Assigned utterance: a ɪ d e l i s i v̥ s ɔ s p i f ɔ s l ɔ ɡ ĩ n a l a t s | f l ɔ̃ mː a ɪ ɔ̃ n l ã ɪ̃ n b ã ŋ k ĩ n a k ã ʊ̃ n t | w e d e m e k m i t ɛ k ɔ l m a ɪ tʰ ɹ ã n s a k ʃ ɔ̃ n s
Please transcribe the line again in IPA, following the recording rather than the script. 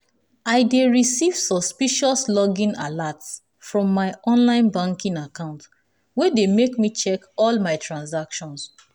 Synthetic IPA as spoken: a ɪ d e ɹ i s i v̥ s ɔ s p i ʃ ɔ s l ɔ ɡ ĩ n a l a t s | f ɹ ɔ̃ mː a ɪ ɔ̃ n l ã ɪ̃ n b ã ŋ k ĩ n a k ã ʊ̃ n t | w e d e m e k m i t͡ʃ ɛ k ɔ l m a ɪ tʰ ɹ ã n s a k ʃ ɔ̃ n s